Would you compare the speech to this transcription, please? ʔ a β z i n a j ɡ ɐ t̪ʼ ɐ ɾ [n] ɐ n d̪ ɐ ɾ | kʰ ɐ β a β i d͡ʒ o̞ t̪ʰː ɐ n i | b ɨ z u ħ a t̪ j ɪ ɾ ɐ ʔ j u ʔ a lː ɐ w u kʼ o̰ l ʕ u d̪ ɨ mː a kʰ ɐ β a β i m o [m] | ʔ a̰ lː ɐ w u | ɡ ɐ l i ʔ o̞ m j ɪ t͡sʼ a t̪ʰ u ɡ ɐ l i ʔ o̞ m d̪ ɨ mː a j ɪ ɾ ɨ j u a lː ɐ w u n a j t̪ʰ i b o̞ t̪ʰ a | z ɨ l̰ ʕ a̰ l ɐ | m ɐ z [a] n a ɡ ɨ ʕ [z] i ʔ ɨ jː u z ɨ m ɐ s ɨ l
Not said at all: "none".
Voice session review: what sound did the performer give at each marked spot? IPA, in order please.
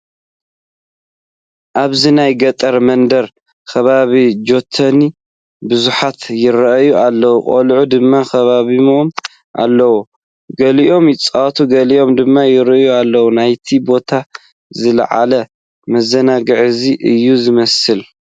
m, m, ɐ, z

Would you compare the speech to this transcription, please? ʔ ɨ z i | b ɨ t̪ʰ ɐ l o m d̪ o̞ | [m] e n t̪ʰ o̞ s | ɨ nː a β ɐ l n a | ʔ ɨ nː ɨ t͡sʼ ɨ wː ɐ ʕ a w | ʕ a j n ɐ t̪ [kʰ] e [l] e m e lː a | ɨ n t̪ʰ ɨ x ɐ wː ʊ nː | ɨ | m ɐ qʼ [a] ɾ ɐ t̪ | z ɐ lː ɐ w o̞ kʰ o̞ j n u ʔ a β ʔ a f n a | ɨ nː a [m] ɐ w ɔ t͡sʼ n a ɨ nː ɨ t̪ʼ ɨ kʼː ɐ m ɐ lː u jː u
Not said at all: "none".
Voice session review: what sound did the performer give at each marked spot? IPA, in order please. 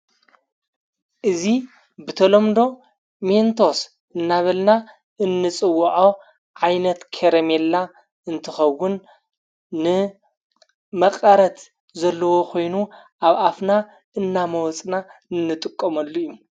m, kʰ, ɾ, ɐ, m

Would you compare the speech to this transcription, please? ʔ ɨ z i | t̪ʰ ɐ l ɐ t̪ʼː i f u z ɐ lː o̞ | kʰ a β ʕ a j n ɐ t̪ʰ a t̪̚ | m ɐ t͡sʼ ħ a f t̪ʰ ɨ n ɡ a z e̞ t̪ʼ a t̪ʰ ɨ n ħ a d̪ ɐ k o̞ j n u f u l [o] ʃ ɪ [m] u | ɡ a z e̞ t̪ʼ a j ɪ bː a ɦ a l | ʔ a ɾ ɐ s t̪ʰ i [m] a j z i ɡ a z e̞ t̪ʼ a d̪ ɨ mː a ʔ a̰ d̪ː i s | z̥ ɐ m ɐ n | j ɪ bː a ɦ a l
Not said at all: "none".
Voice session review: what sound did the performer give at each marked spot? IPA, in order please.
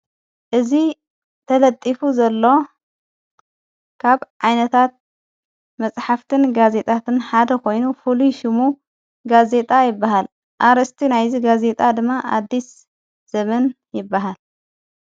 u, m, n

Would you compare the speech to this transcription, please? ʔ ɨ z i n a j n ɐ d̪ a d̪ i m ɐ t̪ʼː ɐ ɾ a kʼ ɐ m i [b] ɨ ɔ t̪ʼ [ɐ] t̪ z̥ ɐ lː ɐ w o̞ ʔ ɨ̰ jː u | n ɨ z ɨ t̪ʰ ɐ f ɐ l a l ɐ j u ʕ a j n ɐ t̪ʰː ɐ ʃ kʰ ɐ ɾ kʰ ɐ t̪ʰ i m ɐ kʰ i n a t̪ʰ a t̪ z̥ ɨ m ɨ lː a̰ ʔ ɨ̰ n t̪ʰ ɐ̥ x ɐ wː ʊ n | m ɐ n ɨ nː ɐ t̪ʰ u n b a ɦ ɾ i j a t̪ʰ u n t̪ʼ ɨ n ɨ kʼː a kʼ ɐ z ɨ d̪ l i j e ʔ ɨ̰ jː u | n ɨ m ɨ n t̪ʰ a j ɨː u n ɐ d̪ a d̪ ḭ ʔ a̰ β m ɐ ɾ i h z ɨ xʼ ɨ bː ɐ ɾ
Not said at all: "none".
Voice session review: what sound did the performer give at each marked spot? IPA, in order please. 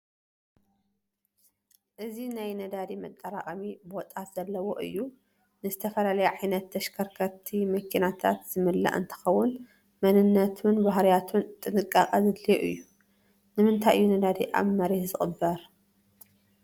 b, a

